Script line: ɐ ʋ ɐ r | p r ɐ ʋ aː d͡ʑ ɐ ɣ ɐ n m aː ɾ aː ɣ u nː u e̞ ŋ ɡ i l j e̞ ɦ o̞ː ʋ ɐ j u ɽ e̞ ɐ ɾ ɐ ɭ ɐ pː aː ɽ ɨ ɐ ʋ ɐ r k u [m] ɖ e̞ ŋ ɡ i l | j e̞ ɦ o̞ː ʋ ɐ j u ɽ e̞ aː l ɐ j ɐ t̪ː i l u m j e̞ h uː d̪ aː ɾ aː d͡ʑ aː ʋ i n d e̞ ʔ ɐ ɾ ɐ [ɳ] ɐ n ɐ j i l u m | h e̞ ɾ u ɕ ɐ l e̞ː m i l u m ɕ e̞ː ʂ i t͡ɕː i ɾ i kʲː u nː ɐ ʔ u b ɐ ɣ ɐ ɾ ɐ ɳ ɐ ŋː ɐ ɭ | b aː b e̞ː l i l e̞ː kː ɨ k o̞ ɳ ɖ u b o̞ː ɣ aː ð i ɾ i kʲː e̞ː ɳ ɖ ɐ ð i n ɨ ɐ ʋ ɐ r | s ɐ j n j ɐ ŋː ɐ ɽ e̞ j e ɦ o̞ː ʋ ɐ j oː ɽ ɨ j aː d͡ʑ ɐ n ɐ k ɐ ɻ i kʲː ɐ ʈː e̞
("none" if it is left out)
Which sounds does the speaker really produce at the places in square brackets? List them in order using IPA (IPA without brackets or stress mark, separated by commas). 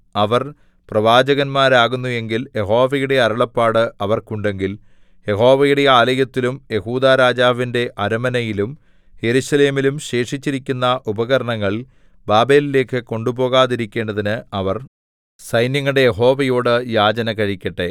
ɳ, m